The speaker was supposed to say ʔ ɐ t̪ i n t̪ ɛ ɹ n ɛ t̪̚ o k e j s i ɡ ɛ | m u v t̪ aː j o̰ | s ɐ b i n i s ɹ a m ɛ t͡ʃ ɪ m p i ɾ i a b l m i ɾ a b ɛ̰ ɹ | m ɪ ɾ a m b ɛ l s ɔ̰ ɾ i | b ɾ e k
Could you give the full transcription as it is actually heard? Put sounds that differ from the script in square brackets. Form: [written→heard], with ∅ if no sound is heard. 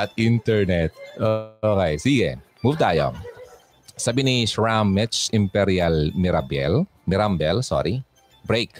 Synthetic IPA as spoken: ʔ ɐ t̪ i n t̪ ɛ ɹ n ɛ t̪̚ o k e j s i ɡ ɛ | m u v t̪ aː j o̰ | s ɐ b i n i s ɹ a m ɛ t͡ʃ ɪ m p [i→ɛ] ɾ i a [b→∅] l m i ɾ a b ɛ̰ [ɹ→l] | m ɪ ɾ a m b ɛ l s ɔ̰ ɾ i | b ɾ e k